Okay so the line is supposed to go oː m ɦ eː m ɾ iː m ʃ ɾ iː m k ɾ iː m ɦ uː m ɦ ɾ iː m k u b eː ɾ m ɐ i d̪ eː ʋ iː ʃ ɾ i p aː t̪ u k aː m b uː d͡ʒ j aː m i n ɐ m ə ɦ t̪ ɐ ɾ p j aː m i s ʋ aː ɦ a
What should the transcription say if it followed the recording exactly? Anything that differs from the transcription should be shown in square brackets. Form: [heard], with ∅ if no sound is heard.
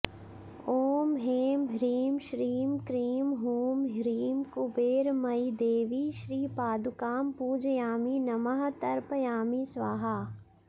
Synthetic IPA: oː m ɦ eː m ɾ iː m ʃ ɾ iː m k ɾ iː m ɦ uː m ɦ ɾ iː m k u b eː ɾ m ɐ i d̪ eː ʋ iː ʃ ɾ [iː] p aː [d̪] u k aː m [p] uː d͡ʒ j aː m i n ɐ m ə ɦ t̪ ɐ ɾ p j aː m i s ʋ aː ɦ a